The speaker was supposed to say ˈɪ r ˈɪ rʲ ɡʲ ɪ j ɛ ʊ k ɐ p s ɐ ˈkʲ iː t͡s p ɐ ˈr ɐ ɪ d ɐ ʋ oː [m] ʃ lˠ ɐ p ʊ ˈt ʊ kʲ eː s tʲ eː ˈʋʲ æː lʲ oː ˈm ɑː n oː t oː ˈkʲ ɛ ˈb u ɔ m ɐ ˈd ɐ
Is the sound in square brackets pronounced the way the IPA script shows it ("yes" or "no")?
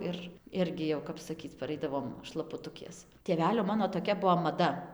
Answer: yes